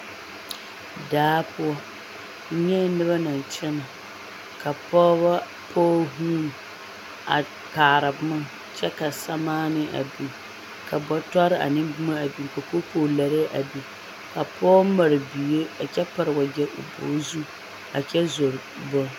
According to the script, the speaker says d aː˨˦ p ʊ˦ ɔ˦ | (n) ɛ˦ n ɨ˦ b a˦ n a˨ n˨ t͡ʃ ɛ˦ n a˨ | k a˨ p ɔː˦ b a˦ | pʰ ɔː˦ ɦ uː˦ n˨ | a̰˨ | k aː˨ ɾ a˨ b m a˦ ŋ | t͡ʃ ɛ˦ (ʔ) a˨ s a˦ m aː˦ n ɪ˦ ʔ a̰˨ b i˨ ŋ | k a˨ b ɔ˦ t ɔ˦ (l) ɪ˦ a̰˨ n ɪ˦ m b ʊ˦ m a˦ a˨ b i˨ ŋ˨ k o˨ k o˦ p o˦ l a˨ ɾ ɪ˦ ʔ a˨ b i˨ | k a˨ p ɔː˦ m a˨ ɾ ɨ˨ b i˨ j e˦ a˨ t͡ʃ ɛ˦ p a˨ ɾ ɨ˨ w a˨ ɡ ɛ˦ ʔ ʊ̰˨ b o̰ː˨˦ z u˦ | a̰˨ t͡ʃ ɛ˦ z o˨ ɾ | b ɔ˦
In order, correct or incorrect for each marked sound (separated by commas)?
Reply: incorrect, incorrect, incorrect